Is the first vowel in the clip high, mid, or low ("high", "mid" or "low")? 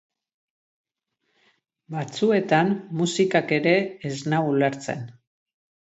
low